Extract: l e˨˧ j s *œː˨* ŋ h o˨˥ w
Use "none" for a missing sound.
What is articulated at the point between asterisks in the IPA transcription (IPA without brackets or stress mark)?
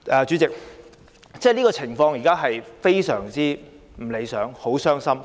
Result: œː˨˥